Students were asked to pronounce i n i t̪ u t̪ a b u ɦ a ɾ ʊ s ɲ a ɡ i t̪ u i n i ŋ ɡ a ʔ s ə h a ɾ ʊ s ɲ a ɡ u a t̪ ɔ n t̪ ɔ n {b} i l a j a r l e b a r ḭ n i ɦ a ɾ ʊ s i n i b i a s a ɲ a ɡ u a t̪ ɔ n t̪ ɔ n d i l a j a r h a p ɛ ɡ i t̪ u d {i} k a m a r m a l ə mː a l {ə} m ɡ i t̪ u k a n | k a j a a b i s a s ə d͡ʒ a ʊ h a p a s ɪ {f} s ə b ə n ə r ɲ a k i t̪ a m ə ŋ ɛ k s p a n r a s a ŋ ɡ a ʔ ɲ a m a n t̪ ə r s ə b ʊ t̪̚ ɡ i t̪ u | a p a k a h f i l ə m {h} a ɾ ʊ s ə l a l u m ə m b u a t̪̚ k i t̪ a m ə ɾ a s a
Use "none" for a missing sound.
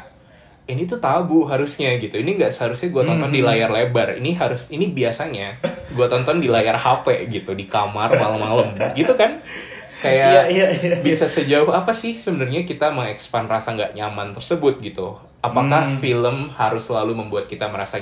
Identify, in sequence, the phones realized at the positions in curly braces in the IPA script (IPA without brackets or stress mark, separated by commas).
d, i, ə, h, h